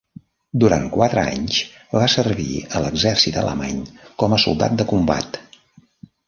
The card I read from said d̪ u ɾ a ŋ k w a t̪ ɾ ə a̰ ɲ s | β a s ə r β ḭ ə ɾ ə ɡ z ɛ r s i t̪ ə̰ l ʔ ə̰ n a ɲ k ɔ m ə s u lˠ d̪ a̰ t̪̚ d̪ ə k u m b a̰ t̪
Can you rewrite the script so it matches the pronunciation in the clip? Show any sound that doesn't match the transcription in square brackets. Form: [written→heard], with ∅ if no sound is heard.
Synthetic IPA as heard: d̪ u ɾ a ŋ k w a t̪ ɾ ə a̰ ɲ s | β a s ə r β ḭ ə [ɾ→l] ə ɡ z ɛ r s i t̪ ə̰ l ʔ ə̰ [n→m] a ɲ k ɔ m ə s u lˠ d̪ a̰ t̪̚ d̪ ə k u m b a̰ t̪